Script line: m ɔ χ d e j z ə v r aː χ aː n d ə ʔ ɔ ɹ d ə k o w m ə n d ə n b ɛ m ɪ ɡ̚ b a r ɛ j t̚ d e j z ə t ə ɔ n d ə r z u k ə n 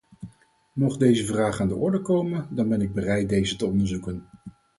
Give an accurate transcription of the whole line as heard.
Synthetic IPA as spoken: m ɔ χ d e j z ə v r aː χ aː n d ə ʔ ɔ ɹ d ə k o w m ə n d ɑ n b ɛ n ɪ ɡ̚ b ə r ɛ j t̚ d e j z ə t ə ɔ n d ə ɹ z u k ə n